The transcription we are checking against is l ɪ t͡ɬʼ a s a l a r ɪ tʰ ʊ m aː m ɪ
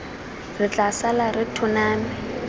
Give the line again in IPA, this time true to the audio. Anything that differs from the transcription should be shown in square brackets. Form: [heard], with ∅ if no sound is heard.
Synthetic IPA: [r] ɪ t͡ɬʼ a s a l a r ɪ tʰ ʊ [n] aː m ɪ